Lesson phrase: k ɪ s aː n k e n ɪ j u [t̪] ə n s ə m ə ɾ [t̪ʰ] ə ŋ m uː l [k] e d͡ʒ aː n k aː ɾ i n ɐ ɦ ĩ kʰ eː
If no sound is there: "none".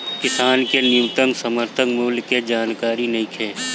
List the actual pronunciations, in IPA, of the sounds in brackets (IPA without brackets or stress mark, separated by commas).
t̪, t̪ʰ, k